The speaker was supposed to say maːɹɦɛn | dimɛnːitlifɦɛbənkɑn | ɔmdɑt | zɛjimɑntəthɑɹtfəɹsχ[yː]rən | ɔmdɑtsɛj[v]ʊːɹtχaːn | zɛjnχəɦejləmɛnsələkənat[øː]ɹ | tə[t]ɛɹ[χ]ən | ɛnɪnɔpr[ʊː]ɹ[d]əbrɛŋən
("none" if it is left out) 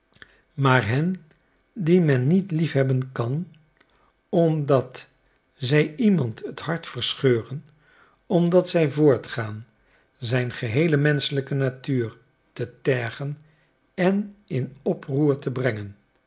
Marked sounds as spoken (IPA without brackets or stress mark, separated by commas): øː, v, yː, t, χ, uː, t